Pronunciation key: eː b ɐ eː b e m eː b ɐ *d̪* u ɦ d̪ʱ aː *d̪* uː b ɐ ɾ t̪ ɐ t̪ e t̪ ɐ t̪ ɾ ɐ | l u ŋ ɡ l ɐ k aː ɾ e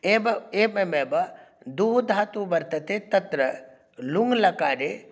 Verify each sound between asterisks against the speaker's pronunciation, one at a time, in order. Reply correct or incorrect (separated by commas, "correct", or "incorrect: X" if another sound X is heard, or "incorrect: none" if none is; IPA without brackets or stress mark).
correct, incorrect: t̪